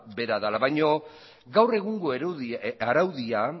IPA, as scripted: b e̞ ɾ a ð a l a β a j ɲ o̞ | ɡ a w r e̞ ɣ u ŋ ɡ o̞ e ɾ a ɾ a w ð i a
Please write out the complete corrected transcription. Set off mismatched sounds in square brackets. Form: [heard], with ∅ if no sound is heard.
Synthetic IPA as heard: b e̞ ɾ a ð a l a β a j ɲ o̞ | ɡ a w r e̞ ɣ u ŋ ɡ o̞ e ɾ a ɾ a w ð i a